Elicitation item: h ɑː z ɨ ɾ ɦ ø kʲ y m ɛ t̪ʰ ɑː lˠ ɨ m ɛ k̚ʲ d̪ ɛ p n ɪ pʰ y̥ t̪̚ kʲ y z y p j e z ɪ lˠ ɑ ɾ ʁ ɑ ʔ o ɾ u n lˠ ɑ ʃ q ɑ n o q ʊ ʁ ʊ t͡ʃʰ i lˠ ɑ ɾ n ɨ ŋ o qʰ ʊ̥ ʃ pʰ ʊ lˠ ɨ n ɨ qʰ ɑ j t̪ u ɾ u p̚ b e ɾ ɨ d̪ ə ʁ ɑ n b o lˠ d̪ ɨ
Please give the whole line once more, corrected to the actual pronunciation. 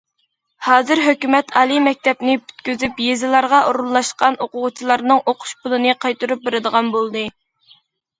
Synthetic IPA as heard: h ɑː z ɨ ɾ ɦ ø kʲ y m ɛ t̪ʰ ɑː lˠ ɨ m ɛ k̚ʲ t̪ ɛ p n ɪ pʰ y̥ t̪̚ kʲ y z y p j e z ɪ lˠ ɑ ɾ ʁ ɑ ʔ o ɾ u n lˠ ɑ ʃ q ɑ n o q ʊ ʁ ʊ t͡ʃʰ i lˠ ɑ ɾ n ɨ ŋ o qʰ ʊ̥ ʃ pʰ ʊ lˠ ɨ n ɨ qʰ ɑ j t̪ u ɾ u p̚ b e ɾ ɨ d̪ ə ʁ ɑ n b o lˠ d̪ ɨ